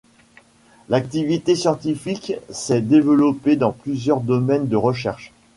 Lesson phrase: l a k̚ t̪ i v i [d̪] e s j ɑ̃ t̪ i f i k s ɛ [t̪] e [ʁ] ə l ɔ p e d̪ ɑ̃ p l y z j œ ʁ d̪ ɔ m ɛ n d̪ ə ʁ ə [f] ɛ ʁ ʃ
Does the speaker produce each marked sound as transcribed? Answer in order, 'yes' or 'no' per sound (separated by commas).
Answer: no, no, no, no